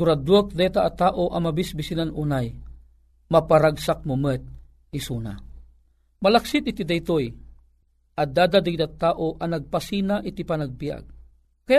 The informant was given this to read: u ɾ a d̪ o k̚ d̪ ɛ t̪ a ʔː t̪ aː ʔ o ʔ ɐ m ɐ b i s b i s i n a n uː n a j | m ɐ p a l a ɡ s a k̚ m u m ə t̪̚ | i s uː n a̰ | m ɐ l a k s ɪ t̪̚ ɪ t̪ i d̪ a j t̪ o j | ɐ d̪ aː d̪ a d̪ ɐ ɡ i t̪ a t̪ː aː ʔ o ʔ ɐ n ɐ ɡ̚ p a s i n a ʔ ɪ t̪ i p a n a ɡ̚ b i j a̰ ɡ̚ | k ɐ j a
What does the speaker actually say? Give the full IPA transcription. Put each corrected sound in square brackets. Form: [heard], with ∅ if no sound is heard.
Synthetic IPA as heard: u ɾ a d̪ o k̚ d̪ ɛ t̪ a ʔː t̪ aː ʔ o ʔ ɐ m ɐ b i s b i s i n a n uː n a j | m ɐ p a [ɾ] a ɡ s a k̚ m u m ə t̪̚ | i s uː n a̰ | m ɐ l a k s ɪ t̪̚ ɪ t̪ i d̪ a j t̪ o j | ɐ d̪ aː d̪ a d̪ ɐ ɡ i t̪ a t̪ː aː ʔ o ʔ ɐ n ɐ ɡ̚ p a s i n a ʔ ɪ t̪ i p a n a ɡ̚ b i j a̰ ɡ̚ | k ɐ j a